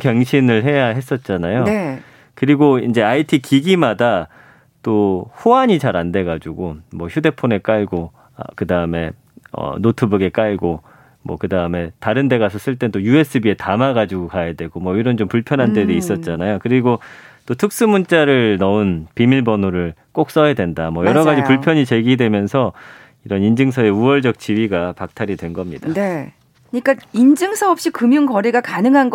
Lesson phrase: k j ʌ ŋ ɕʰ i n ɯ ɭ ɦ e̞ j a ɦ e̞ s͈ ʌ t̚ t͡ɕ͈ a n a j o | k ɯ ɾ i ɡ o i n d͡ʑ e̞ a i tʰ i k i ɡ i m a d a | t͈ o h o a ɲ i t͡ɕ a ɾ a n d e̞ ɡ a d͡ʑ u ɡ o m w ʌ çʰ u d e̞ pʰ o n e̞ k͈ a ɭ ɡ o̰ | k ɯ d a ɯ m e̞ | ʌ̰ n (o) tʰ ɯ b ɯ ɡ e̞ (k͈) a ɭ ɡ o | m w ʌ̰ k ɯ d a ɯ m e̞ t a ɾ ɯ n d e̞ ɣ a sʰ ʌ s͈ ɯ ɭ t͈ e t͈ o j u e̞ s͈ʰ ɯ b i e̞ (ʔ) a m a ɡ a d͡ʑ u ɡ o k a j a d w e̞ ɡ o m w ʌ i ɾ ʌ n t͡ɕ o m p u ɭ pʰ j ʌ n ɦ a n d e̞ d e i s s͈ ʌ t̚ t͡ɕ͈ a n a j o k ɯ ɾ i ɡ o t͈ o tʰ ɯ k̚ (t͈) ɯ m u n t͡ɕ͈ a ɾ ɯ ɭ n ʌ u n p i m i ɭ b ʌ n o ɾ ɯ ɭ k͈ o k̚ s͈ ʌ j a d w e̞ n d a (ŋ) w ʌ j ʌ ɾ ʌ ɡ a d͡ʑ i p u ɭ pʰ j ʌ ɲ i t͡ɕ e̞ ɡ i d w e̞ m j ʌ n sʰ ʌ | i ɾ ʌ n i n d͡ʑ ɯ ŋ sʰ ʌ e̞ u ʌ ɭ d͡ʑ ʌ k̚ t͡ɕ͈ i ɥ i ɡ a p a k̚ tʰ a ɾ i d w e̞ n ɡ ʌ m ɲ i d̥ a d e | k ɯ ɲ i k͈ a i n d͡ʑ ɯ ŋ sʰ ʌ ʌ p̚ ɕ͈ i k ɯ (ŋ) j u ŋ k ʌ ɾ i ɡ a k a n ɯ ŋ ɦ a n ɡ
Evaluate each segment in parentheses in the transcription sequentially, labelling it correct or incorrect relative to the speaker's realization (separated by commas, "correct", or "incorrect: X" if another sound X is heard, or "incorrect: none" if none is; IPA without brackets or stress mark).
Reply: correct, correct, incorrect: t, incorrect: s͈, incorrect: m, incorrect: m